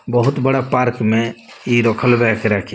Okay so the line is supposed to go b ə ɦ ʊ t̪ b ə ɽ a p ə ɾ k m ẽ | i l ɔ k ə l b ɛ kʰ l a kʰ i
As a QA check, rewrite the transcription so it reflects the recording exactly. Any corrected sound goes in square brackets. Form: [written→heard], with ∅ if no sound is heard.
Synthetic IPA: b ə ɦ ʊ t̪ b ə ɽ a p [ə→a] ɾ k m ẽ | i [l→ɾ] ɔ [k→kʰ] ə l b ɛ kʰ [l→ɾ] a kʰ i